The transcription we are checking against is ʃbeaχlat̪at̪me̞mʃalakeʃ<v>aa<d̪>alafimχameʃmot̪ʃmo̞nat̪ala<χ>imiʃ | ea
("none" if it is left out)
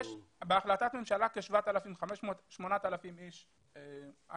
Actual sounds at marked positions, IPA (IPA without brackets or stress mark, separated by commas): v, t̪, f